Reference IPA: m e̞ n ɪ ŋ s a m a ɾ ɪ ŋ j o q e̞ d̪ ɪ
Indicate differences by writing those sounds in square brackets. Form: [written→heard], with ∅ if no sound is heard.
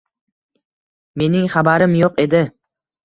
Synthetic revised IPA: m e̞ n ɪ ŋ [s→χ] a [m→b] a ɾ ɪ [ŋ→m] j o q e̞ d̪ ɪ

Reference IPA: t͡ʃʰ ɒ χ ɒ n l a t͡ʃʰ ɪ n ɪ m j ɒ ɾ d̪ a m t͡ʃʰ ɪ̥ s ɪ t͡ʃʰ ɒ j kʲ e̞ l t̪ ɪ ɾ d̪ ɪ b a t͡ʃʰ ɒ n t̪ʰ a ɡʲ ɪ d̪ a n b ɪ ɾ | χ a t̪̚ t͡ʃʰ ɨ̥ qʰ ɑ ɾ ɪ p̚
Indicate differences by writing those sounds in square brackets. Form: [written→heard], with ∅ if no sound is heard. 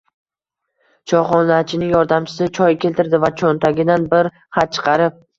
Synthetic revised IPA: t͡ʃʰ ɒ χ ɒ n l a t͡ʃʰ ɪ n ɪ [m→ŋ] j ɒ ɾ d̪ a m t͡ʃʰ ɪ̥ s ɪ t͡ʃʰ ɒ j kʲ e̞ l t̪ ɪ ɾ d̪ ɪ [b→v] a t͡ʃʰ [ɒ→o] n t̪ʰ a ɡʲ ɪ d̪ a n b ɪ ɾ | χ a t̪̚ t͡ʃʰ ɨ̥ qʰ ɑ ɾ ɪ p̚

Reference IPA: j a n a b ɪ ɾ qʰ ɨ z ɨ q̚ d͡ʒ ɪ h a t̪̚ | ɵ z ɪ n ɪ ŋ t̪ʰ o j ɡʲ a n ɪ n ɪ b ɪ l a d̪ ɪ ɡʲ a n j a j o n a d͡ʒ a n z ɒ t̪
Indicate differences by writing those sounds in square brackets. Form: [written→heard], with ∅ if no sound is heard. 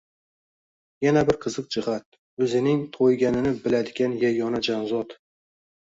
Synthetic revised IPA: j a n a b ɪ ɾ qʰ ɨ z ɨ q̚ d͡ʒ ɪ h a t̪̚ | ɵ z ɪ n ɪ ŋ t̪ʰ o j ɡʲ a n ɪ n ɪ b ɪ l a d̪ ɪ ɡʲ a n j a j [o→ɒ] n a d͡ʒ a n z ɒ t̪

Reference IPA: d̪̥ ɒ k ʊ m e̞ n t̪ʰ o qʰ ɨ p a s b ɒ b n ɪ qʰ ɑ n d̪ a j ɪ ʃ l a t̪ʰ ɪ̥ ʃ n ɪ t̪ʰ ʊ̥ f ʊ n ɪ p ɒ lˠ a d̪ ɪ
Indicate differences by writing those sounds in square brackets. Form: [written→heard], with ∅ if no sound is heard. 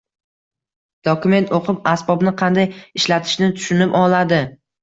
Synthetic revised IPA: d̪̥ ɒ k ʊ m e̞ n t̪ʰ o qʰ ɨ p a s b ɒ b n ɪ qʰ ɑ n d̪ a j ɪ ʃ l a t̪ʰ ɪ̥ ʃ n ɪ t̪ʰ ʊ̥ [f→ʃ] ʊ n ɪ p ɒ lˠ a d̪ ɪ

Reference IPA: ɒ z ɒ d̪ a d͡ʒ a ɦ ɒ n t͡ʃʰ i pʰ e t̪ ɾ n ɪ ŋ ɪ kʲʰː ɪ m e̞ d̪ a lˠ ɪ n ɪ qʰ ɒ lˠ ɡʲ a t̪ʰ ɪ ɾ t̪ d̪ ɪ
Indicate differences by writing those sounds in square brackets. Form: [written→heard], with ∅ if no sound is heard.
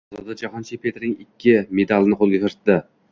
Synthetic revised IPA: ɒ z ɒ d̪ a d͡ʒ a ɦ ɒ n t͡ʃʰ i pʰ e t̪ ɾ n ɪ ŋ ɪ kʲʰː ɪ m e̞ d̪ a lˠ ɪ n ɪ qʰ [ɒ→o] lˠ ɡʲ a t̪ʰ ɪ ɾ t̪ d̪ ɪ

